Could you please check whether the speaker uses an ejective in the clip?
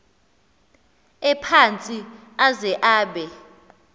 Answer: yes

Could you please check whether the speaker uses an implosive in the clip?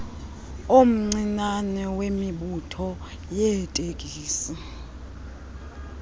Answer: yes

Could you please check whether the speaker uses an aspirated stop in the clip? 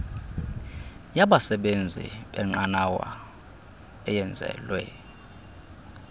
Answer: no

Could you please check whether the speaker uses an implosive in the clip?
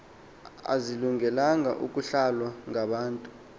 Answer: yes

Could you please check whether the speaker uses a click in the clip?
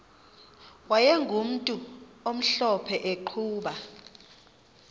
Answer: yes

